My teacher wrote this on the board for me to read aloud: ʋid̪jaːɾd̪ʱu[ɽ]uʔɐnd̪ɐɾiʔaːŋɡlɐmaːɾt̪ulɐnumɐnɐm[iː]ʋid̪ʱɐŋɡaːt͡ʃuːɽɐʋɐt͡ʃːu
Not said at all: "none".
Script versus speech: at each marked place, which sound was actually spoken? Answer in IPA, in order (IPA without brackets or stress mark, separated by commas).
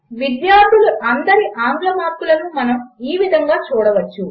l, iː